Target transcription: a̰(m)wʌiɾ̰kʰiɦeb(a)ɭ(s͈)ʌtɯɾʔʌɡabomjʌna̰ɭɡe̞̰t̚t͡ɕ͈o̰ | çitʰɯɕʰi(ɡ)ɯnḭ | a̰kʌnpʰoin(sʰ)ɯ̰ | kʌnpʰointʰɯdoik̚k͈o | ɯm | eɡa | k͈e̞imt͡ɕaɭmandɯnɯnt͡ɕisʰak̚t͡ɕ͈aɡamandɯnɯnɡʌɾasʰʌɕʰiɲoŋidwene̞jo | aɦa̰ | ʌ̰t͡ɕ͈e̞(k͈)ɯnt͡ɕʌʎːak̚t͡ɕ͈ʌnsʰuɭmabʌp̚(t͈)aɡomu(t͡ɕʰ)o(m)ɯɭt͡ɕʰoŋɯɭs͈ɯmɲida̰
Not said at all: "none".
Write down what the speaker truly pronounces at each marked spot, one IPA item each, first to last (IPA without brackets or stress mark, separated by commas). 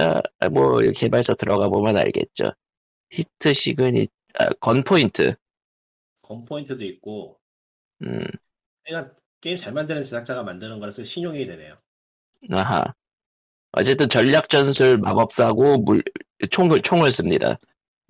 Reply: m, a, s͈, ɡ, tʰ, t͈, s͈, t͡ɕʰ, ŋ